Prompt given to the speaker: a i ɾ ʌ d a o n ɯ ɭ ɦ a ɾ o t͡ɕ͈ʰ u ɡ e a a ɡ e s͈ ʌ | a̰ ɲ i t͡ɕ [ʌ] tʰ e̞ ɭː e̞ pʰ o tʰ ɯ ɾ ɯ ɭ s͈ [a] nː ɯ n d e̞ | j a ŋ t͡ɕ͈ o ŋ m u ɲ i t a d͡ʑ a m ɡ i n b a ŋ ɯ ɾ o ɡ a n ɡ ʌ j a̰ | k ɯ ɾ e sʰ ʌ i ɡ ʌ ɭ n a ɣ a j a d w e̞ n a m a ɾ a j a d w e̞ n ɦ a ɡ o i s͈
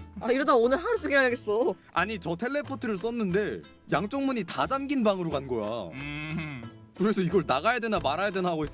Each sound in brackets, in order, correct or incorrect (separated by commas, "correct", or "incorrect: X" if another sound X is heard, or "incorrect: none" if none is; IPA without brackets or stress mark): correct, incorrect: ʌ